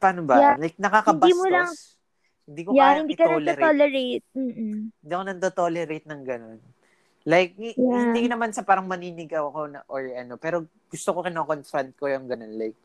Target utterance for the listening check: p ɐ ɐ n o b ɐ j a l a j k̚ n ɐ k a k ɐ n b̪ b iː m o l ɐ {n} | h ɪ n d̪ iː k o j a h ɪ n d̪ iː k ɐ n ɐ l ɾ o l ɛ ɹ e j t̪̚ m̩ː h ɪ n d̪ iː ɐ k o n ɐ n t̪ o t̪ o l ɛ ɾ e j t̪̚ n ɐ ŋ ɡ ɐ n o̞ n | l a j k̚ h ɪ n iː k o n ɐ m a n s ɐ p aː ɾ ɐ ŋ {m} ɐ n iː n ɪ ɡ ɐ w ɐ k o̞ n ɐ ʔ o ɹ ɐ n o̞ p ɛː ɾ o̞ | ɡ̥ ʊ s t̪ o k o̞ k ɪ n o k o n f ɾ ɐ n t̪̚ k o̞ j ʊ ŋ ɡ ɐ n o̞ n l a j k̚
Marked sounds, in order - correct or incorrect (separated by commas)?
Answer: incorrect, correct